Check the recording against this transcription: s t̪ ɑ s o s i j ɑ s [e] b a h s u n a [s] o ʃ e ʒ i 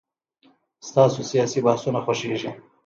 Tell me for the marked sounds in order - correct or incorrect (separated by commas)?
incorrect, incorrect